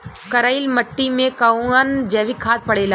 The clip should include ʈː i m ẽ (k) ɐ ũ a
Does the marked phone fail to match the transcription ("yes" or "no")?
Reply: no